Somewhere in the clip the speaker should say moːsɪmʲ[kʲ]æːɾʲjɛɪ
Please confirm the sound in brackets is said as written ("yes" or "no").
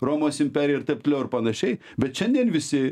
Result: no